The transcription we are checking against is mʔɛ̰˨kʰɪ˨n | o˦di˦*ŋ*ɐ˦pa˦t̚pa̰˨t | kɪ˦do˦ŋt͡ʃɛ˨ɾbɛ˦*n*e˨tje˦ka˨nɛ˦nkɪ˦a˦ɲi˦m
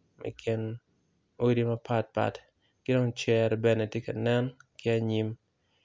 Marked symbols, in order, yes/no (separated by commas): no, yes